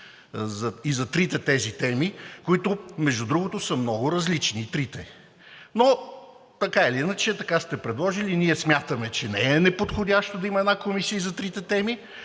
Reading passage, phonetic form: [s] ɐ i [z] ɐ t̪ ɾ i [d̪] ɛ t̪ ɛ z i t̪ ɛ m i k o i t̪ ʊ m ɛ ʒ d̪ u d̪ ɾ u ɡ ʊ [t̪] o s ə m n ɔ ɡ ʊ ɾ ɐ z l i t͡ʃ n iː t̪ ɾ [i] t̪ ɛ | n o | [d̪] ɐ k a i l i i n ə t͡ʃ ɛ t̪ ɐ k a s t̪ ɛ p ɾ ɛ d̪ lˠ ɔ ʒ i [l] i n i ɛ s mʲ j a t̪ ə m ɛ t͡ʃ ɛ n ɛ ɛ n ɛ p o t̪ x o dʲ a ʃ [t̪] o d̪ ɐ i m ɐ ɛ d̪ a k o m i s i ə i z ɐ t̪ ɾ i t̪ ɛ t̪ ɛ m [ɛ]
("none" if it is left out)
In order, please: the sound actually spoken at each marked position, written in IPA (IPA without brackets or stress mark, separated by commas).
z, z, t̪, t̪, i, t̪, l, t̪, i